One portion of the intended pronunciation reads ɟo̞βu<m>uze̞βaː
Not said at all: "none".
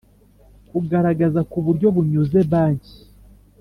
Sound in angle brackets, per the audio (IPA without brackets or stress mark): ɲ